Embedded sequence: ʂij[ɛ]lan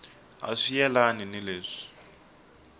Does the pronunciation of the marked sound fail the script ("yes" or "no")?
no